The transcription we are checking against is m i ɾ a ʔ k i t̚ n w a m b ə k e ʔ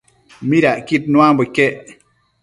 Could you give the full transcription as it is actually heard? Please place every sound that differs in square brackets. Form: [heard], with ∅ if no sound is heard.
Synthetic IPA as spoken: m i ɾ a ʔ k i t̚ n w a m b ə k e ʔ